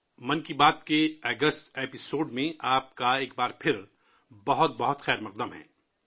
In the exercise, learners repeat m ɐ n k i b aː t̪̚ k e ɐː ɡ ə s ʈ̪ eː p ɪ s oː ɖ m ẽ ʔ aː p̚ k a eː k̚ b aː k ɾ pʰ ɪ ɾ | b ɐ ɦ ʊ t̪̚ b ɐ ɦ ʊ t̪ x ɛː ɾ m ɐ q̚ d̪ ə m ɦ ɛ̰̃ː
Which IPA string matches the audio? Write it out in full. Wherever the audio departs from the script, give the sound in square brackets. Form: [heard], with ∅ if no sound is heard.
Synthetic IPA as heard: m ɐ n k i b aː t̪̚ k e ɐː ɡ ə s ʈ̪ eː p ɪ s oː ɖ m ẽ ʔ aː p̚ k a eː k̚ b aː [∅] ɾ pʰ ɪ ɾ | b ɐ ɦ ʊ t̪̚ b ɐ ɦ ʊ t̪ x ɛː ɾ m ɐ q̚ d̪ ə m ɦ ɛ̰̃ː